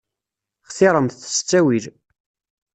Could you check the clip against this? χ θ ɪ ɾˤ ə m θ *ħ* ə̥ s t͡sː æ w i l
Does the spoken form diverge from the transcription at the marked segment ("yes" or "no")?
yes